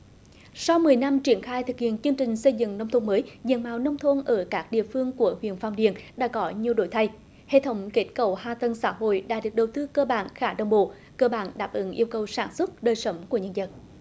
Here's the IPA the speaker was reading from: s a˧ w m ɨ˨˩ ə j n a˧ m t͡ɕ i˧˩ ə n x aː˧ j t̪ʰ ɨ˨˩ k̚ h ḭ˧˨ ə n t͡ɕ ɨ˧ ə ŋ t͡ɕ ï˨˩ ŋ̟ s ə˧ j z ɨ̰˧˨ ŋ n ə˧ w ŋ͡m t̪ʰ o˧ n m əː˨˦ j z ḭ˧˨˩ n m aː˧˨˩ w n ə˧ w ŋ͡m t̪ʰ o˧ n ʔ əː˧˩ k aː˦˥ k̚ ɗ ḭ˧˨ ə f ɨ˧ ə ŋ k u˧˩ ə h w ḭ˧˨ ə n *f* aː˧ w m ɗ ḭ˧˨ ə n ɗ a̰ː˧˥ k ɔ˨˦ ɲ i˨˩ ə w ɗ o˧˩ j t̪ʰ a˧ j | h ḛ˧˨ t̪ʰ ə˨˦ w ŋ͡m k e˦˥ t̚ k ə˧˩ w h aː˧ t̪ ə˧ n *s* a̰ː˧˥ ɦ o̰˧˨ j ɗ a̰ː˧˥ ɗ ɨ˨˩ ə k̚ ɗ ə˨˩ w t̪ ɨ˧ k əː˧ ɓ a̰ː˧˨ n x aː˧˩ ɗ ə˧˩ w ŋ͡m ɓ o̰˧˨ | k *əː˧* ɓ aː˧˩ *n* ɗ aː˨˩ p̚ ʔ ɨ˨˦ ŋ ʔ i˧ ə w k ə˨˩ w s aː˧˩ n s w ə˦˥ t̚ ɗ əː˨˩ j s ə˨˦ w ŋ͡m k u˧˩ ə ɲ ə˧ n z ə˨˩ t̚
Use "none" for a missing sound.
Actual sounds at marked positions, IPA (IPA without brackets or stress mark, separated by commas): f, s, əː˧, n